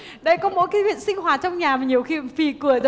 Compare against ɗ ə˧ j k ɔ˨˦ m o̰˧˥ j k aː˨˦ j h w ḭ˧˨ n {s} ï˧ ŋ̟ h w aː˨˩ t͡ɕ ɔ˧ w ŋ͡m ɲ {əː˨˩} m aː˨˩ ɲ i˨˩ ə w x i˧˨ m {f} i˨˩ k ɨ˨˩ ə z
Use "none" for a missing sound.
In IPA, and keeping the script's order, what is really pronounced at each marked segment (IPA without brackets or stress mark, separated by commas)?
s, aː˨˩, f